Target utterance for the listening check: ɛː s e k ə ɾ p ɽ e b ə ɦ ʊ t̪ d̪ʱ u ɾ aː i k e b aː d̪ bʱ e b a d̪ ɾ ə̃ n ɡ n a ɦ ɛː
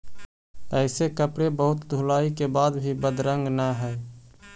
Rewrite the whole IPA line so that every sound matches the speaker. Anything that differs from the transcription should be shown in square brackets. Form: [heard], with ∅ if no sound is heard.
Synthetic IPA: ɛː s e k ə [∅] p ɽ e b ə ɦ ʊ t̪ d̪ʱ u [l] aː i k e b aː d̪ bʱ [i] b [ə] d̪ ɾ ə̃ [ŋ] ɡ n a ɦ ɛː